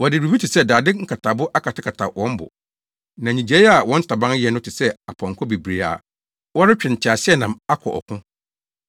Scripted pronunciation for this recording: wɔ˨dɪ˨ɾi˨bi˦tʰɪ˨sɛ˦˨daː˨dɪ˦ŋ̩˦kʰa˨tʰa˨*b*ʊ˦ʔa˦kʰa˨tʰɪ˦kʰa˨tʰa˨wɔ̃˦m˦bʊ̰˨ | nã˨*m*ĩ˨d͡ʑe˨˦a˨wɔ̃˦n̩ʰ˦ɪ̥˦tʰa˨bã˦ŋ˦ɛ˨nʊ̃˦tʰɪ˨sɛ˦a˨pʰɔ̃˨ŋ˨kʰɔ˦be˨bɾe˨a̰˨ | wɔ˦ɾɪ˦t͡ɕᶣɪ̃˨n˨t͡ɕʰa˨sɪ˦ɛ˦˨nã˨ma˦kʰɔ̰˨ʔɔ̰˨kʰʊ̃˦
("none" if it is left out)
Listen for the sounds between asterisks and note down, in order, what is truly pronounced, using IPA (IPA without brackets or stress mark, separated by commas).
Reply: b, ɲ